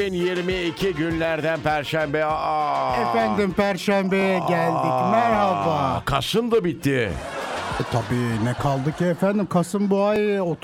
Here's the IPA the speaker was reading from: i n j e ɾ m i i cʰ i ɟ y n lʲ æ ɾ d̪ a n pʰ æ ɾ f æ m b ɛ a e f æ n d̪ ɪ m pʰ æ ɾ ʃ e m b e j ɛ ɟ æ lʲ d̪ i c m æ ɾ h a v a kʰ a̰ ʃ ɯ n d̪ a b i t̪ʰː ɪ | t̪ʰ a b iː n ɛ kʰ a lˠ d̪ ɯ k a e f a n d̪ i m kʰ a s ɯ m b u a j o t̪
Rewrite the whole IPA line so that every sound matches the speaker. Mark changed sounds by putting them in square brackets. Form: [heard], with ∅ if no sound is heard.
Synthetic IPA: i n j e ɾ m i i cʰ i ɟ y n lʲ æ ɾ d̪ [æ] n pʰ æ ɾ [ʃ] æ m b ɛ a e f æ n d̪ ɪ m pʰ æ ɾ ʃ [æ] m b e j ɛ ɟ æ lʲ d̪ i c m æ ɾ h a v a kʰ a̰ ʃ ɯ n d̪ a b i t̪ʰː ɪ | t̪ʰ a b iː n ɛ kʰ a lˠ d̪ ɯ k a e f [æ] n d̪ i m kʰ a s ɯ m b u a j o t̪